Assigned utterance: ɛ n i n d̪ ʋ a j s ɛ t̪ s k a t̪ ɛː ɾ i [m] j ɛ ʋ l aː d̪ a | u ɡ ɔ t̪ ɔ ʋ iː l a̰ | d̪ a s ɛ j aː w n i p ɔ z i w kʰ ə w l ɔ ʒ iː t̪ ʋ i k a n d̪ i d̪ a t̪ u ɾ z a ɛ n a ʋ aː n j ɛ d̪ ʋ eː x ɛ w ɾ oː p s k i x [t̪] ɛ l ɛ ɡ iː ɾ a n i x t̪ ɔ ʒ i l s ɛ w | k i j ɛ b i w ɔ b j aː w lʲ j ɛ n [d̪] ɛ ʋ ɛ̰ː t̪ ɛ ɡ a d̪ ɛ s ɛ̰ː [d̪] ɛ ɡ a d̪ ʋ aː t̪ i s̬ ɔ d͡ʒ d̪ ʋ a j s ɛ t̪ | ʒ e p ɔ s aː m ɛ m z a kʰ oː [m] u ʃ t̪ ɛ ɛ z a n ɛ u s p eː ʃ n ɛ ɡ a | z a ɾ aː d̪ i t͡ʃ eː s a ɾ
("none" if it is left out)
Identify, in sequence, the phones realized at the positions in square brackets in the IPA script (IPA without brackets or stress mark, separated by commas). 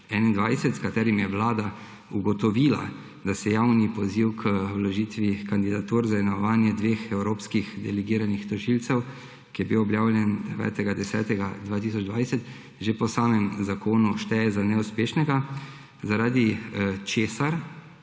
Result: m, d̪, d̪, t̪, n